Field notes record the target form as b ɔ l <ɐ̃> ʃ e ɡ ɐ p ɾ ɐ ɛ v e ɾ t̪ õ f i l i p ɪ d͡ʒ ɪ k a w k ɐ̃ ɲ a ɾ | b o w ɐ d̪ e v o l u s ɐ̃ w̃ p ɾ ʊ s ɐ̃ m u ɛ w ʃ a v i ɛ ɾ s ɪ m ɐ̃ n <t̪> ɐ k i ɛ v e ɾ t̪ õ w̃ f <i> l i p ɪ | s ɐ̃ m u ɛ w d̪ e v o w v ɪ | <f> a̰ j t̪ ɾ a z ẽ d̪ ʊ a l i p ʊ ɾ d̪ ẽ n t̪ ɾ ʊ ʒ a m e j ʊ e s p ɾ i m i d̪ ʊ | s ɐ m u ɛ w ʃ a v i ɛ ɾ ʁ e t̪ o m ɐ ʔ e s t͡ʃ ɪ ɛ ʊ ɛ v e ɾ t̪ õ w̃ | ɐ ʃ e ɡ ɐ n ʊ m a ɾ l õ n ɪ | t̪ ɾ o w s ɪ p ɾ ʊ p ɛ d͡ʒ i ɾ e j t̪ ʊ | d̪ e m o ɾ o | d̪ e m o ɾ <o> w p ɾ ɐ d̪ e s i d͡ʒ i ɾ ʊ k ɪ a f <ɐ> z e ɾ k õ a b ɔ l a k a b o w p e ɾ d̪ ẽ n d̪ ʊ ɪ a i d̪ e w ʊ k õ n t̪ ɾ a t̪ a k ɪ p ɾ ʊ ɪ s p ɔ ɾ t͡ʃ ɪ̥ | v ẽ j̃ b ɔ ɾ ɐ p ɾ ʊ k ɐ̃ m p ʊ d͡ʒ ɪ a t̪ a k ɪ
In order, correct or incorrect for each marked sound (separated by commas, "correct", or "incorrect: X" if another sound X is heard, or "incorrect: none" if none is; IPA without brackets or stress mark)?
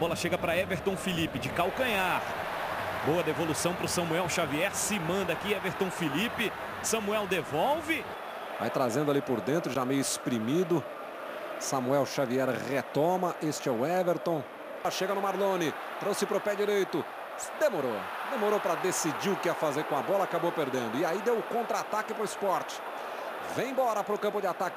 incorrect: ɐ, incorrect: d̪, correct, incorrect: v, correct, incorrect: a